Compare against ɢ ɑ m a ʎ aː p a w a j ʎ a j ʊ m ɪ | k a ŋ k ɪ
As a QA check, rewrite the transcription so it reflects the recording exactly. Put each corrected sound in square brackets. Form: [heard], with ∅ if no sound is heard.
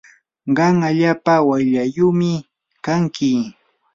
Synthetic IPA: ɢ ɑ [ŋ] a ʎ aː p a w a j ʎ a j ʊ m ɪ | k a ŋ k ɪ

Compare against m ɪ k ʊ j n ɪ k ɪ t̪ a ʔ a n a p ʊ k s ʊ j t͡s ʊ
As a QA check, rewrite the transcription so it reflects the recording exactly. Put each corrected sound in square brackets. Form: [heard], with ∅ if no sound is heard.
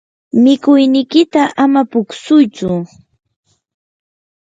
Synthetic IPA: m ɪ k ʊ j n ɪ k ɪ t̪ a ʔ a [m] a p ʊ k s ʊ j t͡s ʊ

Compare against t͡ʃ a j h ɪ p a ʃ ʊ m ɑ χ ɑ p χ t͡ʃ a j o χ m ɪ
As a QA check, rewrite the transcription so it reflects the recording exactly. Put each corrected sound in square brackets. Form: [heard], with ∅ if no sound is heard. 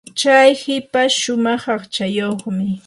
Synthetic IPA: t͡ʃ a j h ɪ p a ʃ ʊ m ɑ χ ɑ [∅] χ t͡ʃ a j o χ m ɪ

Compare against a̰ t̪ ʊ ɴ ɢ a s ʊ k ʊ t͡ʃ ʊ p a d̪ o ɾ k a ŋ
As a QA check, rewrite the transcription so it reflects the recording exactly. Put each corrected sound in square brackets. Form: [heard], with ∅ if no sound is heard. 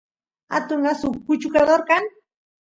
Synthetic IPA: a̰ t̪ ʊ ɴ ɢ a s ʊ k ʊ t͡ʃ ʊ [k] a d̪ o ɾ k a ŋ

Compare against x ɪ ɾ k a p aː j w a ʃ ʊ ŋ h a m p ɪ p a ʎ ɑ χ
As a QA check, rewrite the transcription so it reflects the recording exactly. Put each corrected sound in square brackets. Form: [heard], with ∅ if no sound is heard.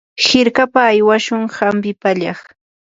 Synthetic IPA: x ɪ ɾ k a p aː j w a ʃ ʊ ŋ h a m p ɪ p a ʎ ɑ χ

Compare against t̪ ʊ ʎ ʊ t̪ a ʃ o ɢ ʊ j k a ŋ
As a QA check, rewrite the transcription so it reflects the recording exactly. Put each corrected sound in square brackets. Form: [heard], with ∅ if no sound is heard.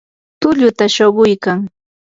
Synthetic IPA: t̪ ʊ ʎ ʊ t̪ a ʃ o ɢ ʊ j k a ŋ

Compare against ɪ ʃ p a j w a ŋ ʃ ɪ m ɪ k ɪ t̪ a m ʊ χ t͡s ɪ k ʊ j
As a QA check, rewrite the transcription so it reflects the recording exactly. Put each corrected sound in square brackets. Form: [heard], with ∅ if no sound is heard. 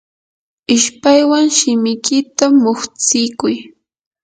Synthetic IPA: ɪ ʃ p a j w a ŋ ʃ ɪ m ɪ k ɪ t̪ a m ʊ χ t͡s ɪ k ʊ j

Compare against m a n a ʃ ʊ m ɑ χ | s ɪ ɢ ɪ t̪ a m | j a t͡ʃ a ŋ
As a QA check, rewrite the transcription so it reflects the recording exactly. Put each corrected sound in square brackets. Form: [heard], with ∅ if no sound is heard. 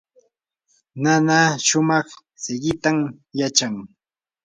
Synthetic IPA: [n] a n a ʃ ʊ m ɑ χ | s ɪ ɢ ɪ t̪ a m | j a t͡ʃ a ŋ

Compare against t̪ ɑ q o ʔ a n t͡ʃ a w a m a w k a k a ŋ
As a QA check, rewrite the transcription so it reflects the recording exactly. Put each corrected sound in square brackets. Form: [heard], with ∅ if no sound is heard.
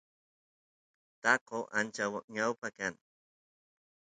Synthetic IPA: t̪ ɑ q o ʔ a n t͡ʃ a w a [ɲ] a w [p] a k a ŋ

